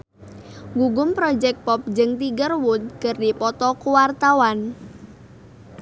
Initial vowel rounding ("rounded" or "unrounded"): rounded